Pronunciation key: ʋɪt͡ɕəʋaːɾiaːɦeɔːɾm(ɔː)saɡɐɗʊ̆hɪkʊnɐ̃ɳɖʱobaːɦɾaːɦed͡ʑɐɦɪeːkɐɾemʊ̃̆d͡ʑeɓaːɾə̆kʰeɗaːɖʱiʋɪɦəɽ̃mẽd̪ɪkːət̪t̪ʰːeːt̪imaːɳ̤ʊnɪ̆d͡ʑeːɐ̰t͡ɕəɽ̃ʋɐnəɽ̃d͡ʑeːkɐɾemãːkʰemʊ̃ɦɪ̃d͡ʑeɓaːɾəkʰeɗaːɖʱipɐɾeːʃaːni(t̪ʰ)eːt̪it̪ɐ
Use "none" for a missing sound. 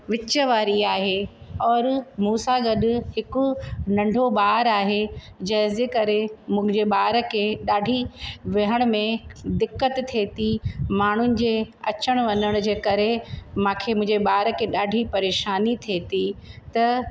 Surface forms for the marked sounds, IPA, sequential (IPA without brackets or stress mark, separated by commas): uː, t̪ʰ